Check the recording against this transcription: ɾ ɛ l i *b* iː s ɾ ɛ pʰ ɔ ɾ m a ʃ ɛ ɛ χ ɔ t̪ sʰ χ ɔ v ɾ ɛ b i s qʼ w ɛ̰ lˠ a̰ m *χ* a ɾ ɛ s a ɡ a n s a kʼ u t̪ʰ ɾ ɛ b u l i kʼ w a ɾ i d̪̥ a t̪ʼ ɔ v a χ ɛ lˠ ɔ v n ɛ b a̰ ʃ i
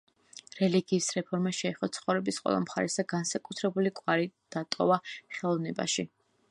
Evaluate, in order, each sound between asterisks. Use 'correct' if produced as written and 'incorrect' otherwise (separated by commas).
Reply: incorrect, correct